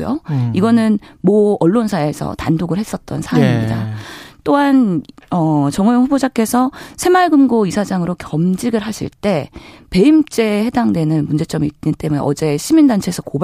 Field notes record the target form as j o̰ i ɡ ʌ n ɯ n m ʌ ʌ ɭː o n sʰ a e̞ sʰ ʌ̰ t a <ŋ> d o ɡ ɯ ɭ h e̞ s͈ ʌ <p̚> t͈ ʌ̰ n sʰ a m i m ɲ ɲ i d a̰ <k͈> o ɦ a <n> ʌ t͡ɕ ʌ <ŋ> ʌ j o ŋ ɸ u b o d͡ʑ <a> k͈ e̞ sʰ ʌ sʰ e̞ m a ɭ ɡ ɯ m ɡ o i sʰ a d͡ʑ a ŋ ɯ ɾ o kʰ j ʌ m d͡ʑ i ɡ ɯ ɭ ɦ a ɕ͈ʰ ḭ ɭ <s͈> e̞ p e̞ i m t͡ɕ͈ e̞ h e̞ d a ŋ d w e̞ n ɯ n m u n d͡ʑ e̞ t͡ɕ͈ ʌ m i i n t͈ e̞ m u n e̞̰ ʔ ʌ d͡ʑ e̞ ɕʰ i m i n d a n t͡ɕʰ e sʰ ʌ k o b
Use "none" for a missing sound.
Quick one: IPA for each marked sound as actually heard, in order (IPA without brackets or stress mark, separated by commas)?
n, t̚, t͈, n, ŋ, a, t͈